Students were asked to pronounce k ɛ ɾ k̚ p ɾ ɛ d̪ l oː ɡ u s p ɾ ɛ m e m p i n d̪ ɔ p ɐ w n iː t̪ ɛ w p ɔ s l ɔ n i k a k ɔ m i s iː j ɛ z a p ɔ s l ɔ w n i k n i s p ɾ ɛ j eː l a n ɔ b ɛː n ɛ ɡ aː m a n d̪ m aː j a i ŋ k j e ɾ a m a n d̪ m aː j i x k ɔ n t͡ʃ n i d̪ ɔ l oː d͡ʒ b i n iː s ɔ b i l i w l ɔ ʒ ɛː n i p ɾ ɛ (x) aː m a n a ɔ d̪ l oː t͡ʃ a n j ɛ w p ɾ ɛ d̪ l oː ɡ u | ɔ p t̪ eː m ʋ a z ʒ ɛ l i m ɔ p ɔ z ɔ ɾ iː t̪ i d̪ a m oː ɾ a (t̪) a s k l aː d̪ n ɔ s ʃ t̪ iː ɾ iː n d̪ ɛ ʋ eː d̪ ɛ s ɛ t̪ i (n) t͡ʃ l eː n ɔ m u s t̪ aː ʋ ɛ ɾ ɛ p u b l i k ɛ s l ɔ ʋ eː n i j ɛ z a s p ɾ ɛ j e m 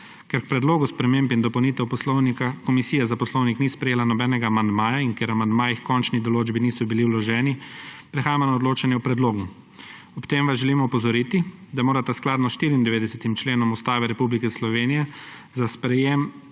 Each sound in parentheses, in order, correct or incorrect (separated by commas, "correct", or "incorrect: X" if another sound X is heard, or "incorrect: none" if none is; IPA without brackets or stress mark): correct, correct, incorrect: m